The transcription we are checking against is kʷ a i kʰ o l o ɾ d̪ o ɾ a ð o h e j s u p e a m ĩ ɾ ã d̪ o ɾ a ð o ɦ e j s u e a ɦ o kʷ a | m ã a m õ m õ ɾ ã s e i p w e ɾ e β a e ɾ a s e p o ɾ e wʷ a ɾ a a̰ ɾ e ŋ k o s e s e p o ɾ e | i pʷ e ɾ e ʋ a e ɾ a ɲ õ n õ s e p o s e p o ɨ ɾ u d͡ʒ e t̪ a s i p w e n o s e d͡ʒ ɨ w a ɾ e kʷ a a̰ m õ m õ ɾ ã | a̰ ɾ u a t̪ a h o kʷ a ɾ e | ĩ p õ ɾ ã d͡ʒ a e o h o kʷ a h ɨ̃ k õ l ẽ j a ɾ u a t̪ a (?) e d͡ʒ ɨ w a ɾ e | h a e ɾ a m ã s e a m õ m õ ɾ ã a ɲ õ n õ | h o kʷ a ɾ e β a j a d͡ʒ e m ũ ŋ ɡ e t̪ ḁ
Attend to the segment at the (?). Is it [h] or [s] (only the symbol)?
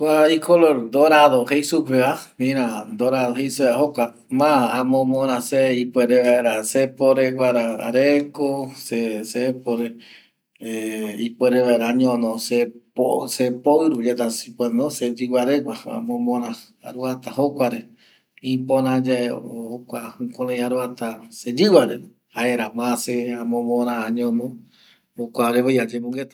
s